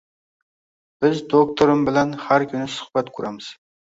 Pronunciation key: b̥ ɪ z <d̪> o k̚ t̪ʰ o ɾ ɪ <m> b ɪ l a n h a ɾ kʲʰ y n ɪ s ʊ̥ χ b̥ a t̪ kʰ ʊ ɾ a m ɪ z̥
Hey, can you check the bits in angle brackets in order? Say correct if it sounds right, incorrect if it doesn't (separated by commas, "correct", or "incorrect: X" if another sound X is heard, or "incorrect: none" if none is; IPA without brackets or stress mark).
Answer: correct, correct